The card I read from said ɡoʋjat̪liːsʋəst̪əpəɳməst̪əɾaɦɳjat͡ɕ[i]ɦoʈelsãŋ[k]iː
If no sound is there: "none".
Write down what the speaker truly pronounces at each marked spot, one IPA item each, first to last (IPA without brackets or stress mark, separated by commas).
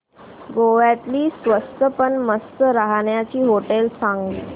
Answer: iː, ɡ